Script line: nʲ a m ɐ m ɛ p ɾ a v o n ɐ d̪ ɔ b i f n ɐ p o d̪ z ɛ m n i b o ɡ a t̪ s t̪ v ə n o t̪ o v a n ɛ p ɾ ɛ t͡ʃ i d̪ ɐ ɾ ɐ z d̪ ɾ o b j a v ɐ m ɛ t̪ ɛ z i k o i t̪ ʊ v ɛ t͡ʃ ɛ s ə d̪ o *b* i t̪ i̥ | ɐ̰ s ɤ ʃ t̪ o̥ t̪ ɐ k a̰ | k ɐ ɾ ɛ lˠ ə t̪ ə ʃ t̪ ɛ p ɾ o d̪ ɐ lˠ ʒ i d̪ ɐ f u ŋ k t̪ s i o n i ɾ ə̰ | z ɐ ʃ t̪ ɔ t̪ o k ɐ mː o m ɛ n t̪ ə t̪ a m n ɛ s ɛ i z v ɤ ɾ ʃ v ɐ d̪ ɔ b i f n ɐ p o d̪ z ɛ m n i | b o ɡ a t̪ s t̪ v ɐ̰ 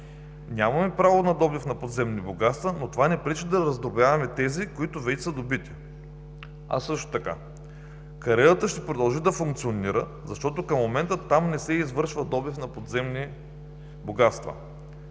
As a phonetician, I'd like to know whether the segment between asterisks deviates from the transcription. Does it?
no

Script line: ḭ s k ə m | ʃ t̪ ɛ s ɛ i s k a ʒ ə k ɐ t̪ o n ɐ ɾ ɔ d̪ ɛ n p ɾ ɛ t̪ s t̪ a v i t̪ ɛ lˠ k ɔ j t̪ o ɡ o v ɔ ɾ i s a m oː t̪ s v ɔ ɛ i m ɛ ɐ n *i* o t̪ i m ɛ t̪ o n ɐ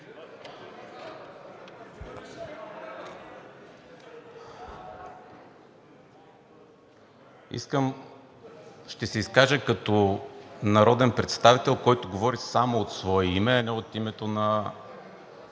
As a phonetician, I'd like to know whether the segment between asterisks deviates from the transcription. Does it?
yes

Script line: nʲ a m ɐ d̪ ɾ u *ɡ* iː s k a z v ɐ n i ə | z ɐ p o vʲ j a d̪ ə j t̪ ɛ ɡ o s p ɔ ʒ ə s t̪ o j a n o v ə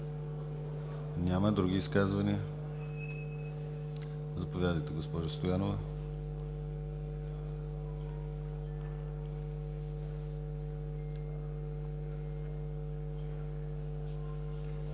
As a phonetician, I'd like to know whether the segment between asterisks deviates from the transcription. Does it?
no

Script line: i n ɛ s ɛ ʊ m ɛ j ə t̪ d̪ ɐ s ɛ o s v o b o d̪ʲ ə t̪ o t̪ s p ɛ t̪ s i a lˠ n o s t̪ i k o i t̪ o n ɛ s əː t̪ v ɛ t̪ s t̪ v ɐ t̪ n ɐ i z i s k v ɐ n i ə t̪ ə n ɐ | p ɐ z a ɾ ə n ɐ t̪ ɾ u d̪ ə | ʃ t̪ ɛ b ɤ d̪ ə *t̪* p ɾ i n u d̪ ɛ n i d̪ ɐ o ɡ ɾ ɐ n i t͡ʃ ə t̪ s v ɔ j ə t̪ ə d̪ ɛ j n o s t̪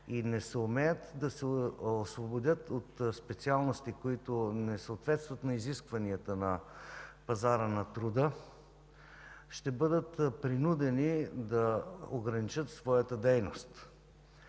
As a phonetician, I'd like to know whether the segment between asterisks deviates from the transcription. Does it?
no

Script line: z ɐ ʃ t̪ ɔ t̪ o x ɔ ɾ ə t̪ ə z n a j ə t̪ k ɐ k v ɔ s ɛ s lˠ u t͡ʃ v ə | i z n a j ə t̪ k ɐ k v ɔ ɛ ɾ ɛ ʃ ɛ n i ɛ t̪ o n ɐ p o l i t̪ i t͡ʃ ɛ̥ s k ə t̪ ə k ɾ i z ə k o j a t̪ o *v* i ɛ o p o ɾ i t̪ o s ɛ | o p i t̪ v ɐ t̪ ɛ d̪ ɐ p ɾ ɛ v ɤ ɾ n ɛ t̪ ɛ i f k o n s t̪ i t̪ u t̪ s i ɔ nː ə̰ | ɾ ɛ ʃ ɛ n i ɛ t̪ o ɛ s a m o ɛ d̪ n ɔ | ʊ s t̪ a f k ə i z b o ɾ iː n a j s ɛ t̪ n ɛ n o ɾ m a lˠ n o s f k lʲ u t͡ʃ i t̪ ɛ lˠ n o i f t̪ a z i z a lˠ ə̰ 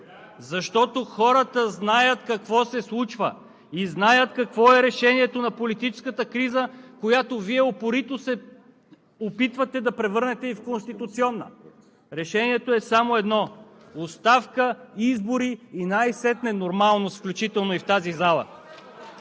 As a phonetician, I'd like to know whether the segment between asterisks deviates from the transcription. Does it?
no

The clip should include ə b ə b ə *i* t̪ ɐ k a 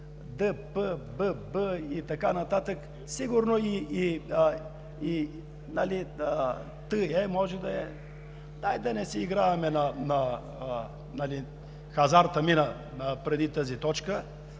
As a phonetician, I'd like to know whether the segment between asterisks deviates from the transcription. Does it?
no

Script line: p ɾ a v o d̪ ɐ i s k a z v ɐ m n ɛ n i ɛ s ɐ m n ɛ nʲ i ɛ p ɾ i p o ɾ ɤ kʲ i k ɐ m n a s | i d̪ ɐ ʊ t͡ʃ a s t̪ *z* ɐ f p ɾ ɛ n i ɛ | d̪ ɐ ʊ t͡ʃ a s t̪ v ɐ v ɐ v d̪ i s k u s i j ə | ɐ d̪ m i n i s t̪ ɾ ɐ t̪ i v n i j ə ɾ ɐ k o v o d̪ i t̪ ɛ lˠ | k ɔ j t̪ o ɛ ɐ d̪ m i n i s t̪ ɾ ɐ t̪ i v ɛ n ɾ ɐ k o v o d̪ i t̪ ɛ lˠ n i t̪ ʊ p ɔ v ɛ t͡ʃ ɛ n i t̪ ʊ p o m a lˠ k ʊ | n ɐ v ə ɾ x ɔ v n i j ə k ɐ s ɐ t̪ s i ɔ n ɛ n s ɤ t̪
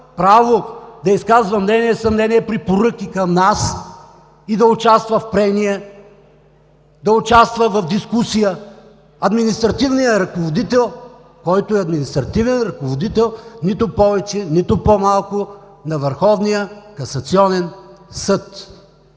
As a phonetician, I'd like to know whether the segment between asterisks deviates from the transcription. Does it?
yes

